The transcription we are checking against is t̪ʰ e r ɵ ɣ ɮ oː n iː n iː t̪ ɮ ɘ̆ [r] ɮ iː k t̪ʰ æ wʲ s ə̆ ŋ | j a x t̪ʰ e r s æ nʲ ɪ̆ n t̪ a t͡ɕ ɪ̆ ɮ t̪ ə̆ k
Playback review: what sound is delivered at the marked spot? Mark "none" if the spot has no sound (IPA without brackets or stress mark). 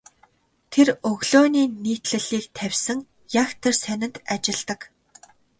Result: none